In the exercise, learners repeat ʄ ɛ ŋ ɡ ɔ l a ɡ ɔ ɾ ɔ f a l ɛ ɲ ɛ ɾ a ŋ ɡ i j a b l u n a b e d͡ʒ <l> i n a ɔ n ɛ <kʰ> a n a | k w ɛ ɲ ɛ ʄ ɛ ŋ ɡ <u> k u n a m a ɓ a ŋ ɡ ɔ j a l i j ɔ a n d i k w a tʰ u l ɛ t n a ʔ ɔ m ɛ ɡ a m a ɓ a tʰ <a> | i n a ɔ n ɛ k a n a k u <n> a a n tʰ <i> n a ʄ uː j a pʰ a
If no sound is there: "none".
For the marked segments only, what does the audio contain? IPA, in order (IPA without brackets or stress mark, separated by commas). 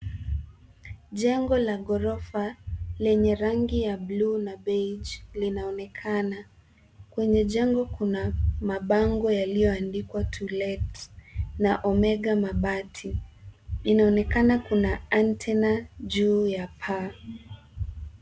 l, kʰ, ɔ, i, n, ɛ